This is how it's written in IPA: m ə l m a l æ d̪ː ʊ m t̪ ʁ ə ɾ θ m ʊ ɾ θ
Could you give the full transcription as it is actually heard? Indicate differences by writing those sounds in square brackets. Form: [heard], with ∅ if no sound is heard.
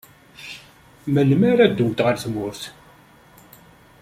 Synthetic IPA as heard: m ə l m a [ɾ] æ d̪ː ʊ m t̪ ʁ ə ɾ θ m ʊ ɾ θ